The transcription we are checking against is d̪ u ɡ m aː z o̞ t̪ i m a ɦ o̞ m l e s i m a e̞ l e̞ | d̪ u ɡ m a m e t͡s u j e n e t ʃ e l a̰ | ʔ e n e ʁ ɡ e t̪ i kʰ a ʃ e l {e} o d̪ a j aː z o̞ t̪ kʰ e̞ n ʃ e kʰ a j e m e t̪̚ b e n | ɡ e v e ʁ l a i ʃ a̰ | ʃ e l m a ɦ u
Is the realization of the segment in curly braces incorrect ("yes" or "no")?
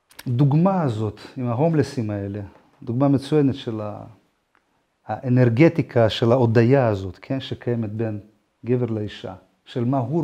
yes